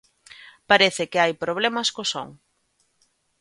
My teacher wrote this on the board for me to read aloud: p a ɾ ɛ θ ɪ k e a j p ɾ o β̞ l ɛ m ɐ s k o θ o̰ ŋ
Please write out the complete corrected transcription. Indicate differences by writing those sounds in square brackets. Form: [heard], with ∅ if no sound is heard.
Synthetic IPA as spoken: p a ɾ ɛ θ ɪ k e a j p ɾ o β̞ l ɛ m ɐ s k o [s] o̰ ŋ

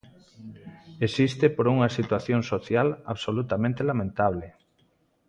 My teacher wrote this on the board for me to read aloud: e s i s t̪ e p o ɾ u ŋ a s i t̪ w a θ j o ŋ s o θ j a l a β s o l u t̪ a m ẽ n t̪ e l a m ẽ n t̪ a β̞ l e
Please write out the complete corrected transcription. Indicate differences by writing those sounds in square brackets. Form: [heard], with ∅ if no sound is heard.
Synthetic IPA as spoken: e s i s t̪ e p o ɾ u ŋ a s i t̪ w a θ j o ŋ s o θ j a l a β s o l u t̪ a m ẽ n t̪ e l a m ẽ n t̪ a β̞ l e

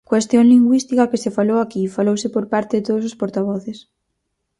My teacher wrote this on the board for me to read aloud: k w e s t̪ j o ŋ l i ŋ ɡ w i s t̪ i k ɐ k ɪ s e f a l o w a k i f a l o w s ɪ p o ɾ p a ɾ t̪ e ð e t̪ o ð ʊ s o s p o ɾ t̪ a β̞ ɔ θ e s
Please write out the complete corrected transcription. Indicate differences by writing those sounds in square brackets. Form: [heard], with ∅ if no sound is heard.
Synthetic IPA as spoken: k w e s t̪ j o ŋ l i ŋ ɡ w i s t̪ i k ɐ k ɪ s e f a l o w a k i f a l o w s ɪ p o ɾ p a ɾ t̪ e ð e t̪ o ð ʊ s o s p o ɾ t̪ a β̞ ɔ θ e s

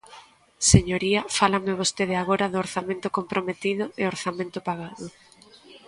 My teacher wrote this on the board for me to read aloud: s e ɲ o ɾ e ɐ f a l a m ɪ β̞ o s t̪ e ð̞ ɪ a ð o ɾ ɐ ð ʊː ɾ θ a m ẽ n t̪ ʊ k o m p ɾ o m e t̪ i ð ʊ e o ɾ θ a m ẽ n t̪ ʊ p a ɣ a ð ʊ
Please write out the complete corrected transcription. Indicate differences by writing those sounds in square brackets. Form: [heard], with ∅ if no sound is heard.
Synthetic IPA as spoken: s e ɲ o ɾ [i] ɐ f a l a m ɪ β̞ o s t̪ e ð̞ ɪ a [ɣ] o ɾ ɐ ð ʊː ɾ θ a m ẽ n t̪ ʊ k o m p ɾ o m e t̪ i ð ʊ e o ɾ θ a m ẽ n t̪ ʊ p a ɣ a ð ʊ

